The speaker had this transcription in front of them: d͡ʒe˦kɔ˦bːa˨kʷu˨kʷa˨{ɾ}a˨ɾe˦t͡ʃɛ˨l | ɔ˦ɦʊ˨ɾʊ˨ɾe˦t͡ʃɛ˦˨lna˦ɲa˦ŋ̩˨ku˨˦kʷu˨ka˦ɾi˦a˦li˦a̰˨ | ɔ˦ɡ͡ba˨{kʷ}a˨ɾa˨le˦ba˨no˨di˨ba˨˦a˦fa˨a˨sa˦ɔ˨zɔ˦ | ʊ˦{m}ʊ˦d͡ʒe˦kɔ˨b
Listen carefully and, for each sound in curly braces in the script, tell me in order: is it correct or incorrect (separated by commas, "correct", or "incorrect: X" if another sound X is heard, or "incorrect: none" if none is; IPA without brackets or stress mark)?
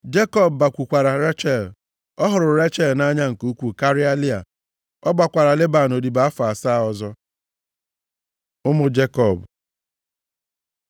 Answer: correct, correct, correct